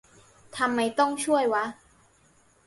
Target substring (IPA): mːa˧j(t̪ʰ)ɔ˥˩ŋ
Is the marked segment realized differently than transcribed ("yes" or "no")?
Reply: yes